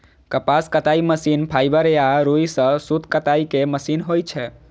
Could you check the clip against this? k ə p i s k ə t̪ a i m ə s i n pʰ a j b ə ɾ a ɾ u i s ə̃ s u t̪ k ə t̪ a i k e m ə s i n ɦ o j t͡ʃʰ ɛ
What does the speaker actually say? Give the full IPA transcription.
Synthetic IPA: k ə p a s k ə t̪ a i m ə s i n pʰ a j b ə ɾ a ɾ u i s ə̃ s u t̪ k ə t̪ a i k e m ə s i n ɦ o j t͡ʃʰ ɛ